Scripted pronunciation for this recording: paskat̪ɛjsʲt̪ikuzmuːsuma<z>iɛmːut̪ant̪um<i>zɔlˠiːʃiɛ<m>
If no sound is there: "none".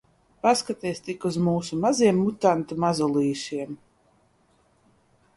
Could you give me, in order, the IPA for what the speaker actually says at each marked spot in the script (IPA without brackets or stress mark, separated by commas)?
z, a, m